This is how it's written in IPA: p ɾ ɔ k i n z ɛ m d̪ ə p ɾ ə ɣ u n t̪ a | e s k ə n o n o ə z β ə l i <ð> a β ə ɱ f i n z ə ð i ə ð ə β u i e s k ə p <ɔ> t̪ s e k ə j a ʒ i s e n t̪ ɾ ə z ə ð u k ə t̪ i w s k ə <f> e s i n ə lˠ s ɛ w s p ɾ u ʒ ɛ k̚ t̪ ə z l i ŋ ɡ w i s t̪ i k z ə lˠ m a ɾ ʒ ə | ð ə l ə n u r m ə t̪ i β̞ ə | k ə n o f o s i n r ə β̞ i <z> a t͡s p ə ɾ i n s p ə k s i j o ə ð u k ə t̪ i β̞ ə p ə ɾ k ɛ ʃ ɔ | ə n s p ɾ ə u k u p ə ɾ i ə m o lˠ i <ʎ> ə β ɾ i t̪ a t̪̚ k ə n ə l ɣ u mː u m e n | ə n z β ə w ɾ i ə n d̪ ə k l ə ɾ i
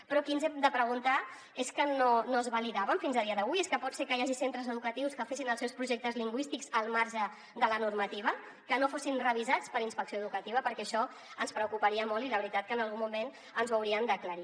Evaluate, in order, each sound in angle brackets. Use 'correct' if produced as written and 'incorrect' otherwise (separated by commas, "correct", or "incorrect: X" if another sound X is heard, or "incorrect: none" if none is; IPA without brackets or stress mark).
correct, correct, correct, correct, incorrect: l